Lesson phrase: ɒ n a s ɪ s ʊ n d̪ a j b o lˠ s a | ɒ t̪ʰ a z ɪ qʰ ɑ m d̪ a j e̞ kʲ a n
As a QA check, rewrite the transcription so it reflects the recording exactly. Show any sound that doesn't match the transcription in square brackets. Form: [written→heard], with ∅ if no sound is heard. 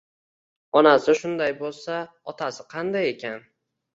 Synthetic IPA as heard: ɒ n a s ɪ [s→ʃ] ʊ n d̪ a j b o lˠ s a | ɒ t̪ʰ a [z→s] ɪ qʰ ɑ [m→n] d̪ a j e̞ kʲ a n